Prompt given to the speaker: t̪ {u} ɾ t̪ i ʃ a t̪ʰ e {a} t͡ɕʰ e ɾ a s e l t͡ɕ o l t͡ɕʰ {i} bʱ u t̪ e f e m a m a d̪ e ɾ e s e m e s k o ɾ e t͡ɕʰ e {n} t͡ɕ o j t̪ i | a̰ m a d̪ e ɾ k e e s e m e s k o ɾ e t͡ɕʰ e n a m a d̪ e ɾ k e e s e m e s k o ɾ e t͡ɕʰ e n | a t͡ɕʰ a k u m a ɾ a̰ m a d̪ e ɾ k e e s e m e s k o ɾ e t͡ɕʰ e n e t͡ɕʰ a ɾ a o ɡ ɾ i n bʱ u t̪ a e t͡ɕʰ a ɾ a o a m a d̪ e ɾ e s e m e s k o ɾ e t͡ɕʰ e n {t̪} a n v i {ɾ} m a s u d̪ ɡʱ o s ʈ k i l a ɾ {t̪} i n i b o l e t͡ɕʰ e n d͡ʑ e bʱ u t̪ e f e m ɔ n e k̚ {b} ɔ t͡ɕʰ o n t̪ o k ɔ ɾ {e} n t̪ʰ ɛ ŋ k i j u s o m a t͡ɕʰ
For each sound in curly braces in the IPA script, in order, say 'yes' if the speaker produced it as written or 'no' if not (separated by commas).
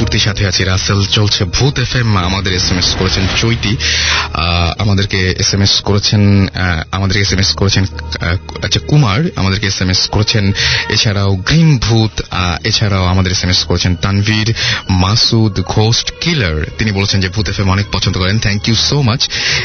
yes, yes, no, yes, yes, yes, yes, no, yes